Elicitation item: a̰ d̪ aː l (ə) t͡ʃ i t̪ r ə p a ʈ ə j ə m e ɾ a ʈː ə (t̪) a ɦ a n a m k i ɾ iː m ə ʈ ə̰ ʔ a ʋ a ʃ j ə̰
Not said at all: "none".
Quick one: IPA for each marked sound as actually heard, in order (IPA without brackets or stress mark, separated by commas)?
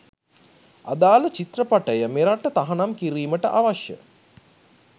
ə, t̪